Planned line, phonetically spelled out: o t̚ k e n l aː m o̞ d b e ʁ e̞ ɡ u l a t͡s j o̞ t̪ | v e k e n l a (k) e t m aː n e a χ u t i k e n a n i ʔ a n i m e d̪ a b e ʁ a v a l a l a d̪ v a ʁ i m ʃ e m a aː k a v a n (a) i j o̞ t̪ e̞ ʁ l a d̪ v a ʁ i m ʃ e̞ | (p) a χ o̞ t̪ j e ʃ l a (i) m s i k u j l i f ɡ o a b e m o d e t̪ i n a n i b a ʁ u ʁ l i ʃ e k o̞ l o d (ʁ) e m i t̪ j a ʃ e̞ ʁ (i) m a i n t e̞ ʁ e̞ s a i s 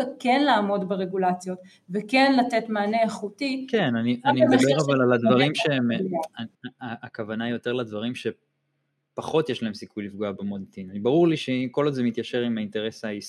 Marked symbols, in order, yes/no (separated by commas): no, yes, yes, no, no, yes